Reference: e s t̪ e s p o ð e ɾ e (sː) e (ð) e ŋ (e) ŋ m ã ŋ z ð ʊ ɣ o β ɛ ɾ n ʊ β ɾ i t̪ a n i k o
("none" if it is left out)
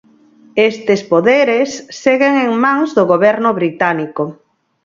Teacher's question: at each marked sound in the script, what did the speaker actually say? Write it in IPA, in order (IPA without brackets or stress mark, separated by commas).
sː, ɣ, e